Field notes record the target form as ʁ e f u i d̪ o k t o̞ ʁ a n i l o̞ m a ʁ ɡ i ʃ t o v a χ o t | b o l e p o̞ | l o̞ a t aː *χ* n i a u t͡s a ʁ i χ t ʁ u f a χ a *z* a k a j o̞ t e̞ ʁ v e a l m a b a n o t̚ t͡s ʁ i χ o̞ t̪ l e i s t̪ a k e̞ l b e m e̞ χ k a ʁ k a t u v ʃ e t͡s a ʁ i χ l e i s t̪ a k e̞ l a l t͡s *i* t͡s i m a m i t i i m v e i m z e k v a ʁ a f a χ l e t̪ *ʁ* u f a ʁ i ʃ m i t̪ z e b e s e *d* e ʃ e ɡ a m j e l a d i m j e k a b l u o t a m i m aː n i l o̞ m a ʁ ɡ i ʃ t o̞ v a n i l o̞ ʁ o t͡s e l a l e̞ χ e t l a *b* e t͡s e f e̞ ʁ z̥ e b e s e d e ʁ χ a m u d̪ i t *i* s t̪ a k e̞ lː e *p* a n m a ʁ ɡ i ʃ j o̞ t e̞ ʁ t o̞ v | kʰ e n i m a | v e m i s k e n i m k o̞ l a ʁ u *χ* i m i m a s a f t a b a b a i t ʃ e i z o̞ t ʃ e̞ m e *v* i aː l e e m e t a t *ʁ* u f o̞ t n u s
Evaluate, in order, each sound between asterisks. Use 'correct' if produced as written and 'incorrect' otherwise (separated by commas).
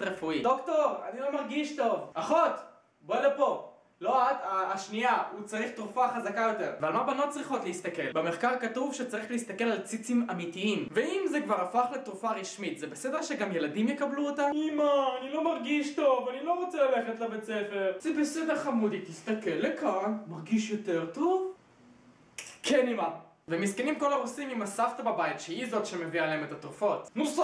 incorrect, correct, correct, correct, correct, correct, correct, incorrect, incorrect, correct, correct